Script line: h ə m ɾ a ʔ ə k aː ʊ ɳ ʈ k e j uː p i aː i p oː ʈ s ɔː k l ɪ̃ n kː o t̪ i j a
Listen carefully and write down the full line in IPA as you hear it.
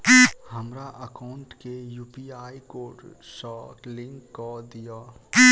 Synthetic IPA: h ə m ɾ a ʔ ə k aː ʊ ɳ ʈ k e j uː p i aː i k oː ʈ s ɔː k l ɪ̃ ŋ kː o d̪ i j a